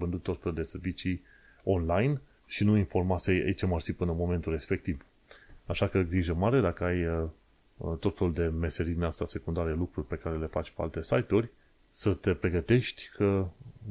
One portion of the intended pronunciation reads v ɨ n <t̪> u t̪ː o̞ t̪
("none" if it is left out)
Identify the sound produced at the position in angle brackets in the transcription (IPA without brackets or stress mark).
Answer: d̪